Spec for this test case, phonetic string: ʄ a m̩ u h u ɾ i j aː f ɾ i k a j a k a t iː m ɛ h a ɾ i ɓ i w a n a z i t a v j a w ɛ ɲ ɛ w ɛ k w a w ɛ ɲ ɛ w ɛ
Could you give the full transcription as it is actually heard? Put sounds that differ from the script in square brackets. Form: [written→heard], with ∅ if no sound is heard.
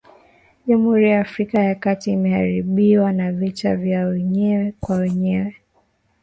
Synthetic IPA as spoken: ʄ a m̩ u h u ɾ i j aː f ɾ i k a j a k a t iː m ɛ h a ɾ i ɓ i w a n a [z→v] i t a v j a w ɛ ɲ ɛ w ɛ k w a w ɛ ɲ ɛ w ɛ